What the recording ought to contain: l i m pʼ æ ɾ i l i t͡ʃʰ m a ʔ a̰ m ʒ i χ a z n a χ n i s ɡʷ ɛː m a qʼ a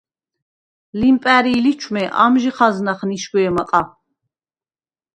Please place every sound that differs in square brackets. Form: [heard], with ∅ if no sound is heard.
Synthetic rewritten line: l i m pʼ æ ɾ i l i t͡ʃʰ m [ɛ] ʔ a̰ m ʒ i χ a z n a χ n i [ʃ] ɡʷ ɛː m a qʼ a